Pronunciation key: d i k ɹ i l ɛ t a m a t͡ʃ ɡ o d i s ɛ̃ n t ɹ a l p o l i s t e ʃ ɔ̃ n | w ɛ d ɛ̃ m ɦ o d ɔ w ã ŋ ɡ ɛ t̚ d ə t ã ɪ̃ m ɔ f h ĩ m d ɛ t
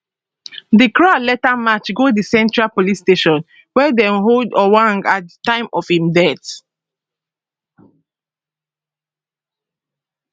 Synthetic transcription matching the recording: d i k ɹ a l ɛ t a m a t͡ʃ ɡ o d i s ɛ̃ n t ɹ a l p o l i s t e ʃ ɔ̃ n | w ɛ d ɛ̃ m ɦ o d ɔ w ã ŋ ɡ a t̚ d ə t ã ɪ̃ m ɔ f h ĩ m d ɛ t